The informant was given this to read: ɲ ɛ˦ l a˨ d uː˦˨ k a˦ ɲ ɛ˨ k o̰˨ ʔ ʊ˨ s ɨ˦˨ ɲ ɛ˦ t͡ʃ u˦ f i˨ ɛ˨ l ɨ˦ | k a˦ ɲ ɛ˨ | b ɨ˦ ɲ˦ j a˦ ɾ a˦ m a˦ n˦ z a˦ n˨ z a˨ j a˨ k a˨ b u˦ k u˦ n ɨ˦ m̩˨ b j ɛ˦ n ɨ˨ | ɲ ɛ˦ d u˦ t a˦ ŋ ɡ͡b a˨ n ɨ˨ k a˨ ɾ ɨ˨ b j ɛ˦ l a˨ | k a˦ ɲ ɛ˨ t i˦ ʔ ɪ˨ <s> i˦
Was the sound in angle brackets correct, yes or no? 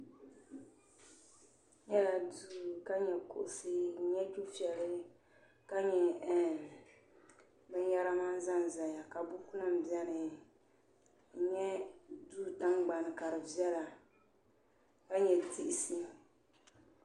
yes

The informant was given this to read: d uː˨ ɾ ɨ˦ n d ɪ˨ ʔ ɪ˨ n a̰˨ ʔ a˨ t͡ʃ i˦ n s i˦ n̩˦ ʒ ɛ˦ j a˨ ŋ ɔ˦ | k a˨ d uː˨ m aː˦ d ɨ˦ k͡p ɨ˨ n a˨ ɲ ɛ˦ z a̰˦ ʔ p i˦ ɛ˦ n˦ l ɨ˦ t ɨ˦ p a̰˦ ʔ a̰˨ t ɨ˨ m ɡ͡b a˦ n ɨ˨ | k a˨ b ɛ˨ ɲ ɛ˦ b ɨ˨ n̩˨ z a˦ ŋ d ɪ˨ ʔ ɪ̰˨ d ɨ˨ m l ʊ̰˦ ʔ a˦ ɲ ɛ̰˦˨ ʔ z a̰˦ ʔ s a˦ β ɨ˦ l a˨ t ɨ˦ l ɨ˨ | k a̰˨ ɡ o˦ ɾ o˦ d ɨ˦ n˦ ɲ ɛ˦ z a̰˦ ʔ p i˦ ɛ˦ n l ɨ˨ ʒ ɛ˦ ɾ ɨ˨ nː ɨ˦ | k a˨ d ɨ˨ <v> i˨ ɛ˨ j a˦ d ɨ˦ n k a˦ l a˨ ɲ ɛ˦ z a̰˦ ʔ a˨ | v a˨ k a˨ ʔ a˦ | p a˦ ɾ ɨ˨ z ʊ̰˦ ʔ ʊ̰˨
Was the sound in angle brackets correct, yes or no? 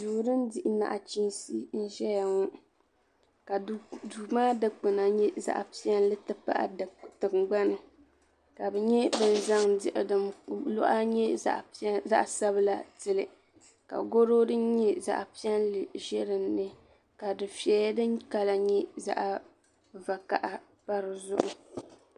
no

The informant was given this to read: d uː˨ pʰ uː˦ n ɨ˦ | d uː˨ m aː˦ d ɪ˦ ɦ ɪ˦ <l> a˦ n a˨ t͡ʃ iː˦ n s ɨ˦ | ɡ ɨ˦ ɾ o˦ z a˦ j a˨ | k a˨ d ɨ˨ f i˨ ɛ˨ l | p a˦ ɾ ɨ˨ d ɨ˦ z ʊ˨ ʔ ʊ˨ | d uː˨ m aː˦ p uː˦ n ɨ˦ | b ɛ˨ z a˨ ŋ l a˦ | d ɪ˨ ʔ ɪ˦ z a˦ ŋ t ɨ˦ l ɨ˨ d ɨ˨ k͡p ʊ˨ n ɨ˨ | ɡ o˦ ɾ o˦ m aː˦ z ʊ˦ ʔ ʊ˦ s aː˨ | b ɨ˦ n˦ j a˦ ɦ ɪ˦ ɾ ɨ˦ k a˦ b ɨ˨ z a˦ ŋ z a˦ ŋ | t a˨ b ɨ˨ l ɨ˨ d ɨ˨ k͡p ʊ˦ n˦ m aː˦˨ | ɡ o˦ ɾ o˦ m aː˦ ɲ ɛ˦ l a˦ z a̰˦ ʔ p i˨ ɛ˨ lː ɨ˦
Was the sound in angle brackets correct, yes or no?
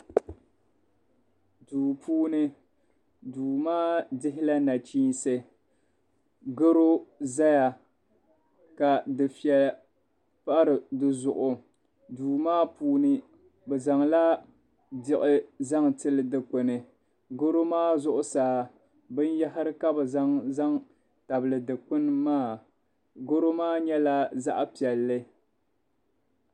yes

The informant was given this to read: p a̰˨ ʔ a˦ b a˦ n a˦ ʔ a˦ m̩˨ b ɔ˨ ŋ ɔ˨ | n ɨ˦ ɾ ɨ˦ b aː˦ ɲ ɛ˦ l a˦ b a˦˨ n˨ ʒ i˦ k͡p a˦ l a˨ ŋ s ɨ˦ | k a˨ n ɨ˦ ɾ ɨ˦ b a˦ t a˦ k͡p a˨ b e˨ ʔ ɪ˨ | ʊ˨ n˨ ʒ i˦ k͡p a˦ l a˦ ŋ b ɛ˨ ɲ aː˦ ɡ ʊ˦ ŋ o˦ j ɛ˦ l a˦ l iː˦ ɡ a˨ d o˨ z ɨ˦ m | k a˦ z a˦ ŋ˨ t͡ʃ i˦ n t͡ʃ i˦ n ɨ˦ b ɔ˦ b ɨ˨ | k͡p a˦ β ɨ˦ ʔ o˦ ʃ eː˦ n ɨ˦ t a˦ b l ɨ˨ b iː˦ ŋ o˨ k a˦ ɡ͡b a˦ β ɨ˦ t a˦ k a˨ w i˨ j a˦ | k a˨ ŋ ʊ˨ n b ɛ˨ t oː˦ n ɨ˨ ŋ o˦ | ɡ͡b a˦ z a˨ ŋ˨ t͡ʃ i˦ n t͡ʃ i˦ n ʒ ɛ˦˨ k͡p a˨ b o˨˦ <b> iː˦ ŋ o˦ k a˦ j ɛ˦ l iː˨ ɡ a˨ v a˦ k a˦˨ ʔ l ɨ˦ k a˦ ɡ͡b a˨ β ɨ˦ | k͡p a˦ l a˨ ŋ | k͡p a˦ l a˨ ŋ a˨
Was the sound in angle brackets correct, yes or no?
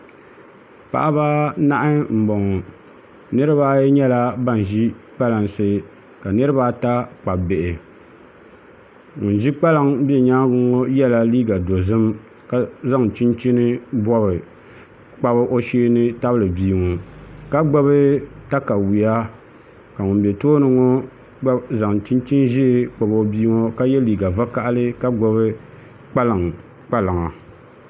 yes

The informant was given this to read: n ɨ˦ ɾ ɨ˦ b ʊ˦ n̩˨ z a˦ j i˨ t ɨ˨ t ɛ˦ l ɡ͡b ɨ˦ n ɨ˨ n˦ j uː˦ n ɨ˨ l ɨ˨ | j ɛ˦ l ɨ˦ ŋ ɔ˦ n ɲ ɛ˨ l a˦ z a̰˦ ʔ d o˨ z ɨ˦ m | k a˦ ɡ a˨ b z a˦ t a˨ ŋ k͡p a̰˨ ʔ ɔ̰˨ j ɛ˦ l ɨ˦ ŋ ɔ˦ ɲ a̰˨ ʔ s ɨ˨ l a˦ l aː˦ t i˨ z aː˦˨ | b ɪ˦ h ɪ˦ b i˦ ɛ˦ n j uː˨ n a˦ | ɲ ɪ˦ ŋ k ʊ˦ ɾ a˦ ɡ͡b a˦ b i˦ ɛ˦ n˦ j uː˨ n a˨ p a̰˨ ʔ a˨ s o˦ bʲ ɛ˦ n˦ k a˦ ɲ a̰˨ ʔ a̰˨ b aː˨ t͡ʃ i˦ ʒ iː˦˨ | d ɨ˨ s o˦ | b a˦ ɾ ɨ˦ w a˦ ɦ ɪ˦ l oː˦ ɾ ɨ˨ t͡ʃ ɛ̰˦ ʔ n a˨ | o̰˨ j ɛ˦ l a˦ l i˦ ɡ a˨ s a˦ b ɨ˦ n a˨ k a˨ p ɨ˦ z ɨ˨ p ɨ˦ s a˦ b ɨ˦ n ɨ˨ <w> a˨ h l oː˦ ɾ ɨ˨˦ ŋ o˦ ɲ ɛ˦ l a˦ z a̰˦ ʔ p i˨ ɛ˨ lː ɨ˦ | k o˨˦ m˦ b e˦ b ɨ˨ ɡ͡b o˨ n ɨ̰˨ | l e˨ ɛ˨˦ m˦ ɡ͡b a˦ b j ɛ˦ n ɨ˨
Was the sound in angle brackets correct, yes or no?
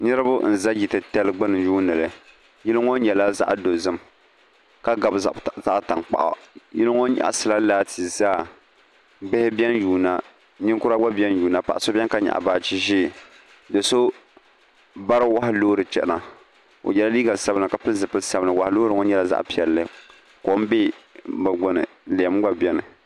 yes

